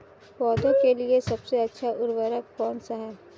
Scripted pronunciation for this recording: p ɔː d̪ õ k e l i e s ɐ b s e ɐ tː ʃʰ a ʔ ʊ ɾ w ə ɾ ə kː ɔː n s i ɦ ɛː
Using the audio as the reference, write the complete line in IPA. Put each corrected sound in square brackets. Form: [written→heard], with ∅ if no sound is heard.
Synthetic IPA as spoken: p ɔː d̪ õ k e l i e s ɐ b s e ɐ tː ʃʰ a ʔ ʊ ɾ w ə ɾ ə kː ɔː n s [i→a] ɦ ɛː

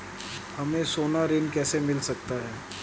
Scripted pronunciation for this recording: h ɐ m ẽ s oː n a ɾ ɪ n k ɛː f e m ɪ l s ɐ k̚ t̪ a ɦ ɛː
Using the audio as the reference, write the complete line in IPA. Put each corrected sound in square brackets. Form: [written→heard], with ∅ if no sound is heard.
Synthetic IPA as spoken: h ɐ m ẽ s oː n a ɾ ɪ n k ɛː [f→s] e m ɪ l s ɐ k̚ t̪ a ɦ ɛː

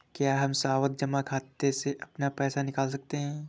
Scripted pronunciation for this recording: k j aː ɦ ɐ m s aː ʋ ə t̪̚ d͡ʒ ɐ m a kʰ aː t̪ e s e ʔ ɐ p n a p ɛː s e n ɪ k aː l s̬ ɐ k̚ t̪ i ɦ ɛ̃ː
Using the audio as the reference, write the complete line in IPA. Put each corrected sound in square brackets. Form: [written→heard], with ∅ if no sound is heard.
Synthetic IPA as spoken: k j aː ɦ ɐ m s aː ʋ ə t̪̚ d͡ʒ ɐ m a kʰ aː t̪ e s e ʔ ɐ p n a p ɛː s [e→a] n ɪ k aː l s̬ ɐ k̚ t̪ [i→e] ɦ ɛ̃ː

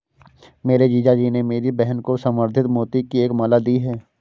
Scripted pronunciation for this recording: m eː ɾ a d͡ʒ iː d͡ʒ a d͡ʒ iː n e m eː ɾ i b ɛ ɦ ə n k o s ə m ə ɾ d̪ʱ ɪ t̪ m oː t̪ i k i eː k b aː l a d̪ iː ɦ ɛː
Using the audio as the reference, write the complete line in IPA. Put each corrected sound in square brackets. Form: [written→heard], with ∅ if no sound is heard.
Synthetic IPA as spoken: m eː ɾ [a→e] d͡ʒ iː d͡ʒ a d͡ʒ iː n e m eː ɾ i b ɛ ɦ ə n k o s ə m ə ɾ d̪ʱ ɪ t̪ m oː t̪ i k i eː k [b→m] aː l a d̪ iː ɦ ɛː

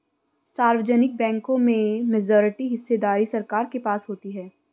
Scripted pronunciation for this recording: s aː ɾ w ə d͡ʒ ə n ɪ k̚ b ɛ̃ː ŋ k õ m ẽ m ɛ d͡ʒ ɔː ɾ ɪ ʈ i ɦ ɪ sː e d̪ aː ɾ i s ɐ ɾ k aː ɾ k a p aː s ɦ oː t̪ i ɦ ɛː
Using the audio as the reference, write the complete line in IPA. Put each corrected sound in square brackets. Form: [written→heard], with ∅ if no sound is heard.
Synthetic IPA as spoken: s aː ɾ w ə d͡ʒ ə n ɪ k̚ b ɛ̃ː ŋ k õ m ẽ m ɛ d͡ʒ ɔː ɾ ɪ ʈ i ɦ ɪ sː e d̪ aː ɾ i s ɐ ɾ k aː ɾ k [a→e] p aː s ɦ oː t̪ i ɦ ɛː

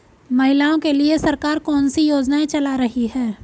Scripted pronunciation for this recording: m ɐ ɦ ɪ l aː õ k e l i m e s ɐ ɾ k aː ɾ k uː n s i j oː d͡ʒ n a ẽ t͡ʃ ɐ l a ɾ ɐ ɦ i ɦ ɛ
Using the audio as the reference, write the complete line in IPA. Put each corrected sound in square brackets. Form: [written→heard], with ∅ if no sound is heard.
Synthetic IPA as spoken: m ɐ ɦ ɪ l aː õ k e l i [m→∅] e s ɐ ɾ k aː ɾ k [uː→ɔː] n s i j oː d͡ʒ n a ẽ t͡ʃ ɐ l a ɾ ɐ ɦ i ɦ [ɛ→ɛː]

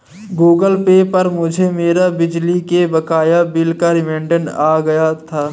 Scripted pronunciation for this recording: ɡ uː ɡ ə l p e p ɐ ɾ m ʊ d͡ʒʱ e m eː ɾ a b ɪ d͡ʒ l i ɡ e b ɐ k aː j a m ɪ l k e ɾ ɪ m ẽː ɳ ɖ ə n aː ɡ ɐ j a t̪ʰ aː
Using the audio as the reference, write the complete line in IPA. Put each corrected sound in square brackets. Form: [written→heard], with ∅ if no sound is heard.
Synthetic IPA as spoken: ɡ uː ɡ ə l p e p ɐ ɾ m ʊ d͡ʒʱ e m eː ɾ a b ɪ d͡ʒ l i [ɡ→k] e b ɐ k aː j a [m→b] ɪ l k [e→a] ɾ ɪ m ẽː ɳ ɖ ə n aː ɡ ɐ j a t̪ʰ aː

